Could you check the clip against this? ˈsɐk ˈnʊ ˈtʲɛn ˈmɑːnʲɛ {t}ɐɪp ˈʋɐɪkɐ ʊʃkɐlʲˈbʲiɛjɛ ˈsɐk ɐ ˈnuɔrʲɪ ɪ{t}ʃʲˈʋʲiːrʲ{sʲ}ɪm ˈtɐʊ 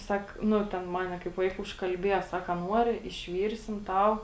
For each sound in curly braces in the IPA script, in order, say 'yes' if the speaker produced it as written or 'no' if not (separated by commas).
no, no, yes